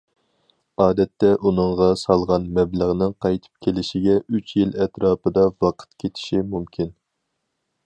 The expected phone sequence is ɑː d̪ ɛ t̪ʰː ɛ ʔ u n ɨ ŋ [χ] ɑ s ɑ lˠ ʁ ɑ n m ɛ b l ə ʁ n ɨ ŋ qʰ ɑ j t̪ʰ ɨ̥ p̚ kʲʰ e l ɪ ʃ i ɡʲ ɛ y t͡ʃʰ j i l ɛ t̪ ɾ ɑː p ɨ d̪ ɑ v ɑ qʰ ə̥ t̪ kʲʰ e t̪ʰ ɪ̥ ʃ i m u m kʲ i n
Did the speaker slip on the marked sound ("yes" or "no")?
yes